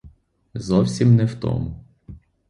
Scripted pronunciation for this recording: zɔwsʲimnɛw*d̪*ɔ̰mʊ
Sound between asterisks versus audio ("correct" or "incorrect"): incorrect